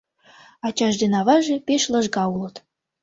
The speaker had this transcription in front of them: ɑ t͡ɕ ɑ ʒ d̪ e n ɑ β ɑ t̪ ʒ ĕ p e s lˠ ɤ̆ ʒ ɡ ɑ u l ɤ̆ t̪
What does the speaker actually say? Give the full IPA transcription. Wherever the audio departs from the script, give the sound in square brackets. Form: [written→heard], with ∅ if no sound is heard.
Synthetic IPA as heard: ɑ t͡ɕ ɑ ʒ d̪ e n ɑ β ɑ [t̪→∅] ʒ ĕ p e [s→ʃ] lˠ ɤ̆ ʒ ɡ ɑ u l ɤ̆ t̪